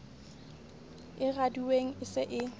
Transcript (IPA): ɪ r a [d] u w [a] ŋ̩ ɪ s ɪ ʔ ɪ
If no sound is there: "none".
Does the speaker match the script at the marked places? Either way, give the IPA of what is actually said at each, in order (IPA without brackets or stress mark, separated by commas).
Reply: d, e